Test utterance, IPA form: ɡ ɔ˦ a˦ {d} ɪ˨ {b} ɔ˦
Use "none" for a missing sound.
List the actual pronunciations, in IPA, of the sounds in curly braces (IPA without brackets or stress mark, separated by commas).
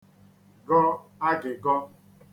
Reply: ɡ, ɡ